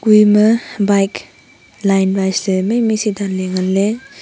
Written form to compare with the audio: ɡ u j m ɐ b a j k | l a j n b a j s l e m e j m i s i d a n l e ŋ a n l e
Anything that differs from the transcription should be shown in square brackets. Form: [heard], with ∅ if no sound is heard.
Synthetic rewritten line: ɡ u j m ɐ b a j k | l a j n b a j s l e m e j m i s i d a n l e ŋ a n l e

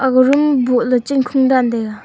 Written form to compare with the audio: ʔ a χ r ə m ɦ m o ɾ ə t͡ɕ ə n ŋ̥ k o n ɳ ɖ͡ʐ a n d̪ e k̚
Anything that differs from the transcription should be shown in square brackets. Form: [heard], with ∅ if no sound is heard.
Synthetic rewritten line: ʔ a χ r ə m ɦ [b] o [l] ə t͡ɕ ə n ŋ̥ [kʰ] o [ŋ] ɳ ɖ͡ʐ a n d̪ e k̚

